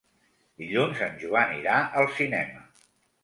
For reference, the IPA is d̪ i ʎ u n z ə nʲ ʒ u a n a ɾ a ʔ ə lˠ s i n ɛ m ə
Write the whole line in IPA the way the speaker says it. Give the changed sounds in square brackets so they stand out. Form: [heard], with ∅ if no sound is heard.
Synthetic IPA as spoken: d̪ i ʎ u n z ə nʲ ʒ u a n [i] ɾ a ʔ ə lˠ s i n ɛ m ə